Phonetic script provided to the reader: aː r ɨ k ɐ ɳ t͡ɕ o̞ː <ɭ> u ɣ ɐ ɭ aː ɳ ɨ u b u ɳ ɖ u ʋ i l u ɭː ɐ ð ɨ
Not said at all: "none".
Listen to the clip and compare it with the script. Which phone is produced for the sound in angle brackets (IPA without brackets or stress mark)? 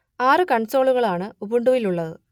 ɭ